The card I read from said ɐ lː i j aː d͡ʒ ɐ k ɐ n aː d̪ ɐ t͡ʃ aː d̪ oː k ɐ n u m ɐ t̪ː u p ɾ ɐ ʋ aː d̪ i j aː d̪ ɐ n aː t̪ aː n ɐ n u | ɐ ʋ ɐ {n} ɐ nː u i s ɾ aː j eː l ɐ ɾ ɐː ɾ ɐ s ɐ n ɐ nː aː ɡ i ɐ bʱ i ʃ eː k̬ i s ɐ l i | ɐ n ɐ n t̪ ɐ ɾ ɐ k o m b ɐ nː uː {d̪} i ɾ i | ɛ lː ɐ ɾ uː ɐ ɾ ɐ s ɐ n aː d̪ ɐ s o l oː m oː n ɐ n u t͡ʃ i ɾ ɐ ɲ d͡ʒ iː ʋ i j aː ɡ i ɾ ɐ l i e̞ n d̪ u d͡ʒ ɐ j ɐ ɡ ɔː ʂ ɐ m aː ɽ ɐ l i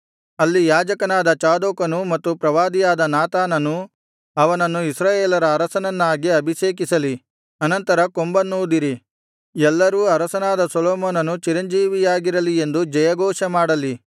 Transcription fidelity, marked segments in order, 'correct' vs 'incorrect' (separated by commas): correct, correct